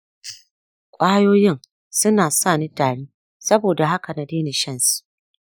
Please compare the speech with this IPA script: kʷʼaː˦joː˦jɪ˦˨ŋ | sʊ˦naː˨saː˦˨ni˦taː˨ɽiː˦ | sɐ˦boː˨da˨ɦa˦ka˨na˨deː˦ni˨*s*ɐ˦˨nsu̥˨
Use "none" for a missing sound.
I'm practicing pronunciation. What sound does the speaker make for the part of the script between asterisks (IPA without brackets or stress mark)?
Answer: ʃ